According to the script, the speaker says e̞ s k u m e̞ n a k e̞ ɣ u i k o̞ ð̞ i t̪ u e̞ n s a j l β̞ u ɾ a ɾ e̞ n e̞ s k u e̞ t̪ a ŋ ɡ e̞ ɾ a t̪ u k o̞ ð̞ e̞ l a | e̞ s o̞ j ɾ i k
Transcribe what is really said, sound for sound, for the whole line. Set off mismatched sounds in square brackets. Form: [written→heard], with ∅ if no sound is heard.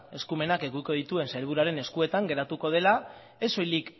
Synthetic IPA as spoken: e̞ s k u m e̞ n a k e̞ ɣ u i k o̞ ð̞ i t̪ u e̞ n s a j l β̞ u ɾ a ɾ e̞ n e̞ s k u e̞ t̪ a ŋ ɡ e̞ ɾ a t̪ u k o̞ ð̞ e̞ l a | e̞ s o̞ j [ɾ→l] i k